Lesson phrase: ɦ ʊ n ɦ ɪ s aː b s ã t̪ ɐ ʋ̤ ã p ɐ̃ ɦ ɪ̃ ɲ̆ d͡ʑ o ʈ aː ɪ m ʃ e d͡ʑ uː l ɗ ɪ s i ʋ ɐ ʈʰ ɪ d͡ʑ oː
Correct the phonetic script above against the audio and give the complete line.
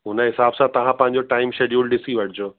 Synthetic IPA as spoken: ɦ ʊ n ɦ ɪ s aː b s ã t̪ ɐ ʋ̤ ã p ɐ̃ ɦ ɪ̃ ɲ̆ d͡ʑ o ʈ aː ɪ m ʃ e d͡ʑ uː l ɗ ɪ s i ʋ ɐ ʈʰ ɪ d͡ʑ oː